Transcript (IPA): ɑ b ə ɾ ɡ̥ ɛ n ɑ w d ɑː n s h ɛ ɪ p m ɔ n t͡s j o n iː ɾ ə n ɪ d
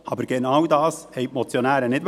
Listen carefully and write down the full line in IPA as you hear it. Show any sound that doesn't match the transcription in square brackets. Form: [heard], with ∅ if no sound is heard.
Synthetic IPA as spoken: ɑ b ə ɾ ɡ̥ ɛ n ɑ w d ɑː [∅] s h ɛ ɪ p m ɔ [∅] t͡s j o n [æː] ɾ ə n ɪ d